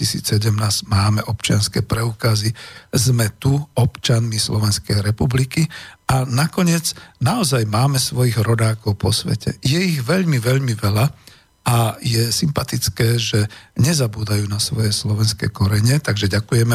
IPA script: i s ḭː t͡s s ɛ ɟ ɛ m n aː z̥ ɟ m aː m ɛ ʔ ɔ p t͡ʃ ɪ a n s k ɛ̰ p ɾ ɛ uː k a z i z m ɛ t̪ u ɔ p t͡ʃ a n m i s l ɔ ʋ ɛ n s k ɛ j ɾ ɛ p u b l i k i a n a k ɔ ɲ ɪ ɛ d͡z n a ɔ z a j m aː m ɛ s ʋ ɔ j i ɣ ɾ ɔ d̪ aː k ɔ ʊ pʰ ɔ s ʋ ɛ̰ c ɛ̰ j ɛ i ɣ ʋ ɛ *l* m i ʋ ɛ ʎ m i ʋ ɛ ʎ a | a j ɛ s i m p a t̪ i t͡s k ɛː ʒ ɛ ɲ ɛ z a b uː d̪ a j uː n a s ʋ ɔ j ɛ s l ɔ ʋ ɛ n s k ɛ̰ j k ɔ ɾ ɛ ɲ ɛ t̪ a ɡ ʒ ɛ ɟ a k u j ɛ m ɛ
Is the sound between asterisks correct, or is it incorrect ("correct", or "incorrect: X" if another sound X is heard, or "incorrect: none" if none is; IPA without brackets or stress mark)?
incorrect: ʎ